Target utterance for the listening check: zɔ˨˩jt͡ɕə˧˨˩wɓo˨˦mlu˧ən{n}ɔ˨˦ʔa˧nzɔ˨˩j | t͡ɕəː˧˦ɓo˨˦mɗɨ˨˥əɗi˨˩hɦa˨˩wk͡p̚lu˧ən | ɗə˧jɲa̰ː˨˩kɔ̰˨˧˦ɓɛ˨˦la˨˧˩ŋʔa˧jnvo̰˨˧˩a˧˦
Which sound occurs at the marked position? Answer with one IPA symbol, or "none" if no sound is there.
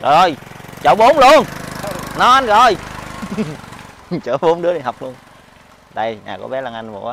n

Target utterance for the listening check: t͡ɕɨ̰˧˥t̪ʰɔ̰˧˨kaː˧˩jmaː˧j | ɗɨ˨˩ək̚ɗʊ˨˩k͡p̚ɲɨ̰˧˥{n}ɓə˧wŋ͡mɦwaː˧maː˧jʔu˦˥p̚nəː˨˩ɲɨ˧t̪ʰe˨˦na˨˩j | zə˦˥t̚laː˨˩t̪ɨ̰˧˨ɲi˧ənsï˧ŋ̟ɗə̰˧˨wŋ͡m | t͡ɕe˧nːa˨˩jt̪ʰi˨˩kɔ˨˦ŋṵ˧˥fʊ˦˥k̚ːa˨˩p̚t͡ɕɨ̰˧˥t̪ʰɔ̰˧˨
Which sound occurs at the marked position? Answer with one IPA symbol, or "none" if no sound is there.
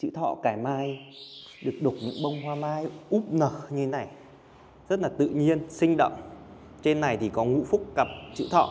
ŋ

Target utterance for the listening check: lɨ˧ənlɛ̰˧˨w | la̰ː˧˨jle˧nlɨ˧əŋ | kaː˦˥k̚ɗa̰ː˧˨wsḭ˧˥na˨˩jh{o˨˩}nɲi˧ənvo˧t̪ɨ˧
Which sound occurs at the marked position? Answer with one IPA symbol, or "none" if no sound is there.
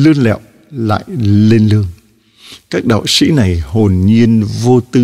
o˨˩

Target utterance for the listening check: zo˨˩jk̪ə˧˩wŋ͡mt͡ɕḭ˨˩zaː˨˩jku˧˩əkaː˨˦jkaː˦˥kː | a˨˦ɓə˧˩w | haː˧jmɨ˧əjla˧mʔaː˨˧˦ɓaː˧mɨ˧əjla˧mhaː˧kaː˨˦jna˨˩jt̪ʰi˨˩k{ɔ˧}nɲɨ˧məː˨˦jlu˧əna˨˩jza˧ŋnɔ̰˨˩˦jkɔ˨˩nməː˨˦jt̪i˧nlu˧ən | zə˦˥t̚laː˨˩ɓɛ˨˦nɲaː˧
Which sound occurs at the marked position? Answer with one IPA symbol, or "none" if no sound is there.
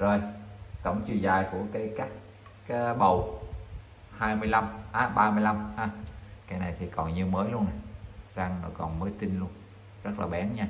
ɔ˨˩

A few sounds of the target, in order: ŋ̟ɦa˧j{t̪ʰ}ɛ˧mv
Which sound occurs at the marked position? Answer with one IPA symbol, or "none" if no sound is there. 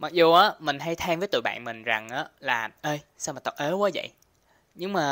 t̪ʰ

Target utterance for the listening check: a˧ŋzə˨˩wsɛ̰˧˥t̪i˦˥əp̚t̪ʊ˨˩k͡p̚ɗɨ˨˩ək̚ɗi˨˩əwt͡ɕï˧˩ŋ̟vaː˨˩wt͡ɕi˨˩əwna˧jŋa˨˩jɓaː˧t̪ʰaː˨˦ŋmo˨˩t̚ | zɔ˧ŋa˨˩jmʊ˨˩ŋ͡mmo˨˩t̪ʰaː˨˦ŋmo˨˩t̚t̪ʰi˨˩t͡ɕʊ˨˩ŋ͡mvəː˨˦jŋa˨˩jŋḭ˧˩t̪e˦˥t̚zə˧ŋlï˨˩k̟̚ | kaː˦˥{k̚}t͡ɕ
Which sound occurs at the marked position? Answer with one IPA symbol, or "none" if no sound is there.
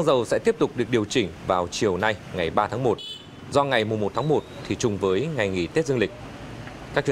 k̚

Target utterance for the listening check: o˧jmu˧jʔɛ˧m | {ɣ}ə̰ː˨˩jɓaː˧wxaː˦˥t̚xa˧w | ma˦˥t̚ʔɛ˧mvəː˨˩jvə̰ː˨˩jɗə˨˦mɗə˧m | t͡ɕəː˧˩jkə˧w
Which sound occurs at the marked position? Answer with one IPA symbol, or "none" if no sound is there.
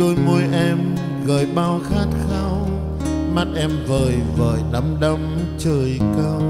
ɣ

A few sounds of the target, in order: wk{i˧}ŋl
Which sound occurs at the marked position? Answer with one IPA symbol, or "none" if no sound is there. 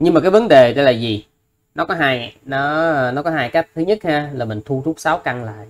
a˧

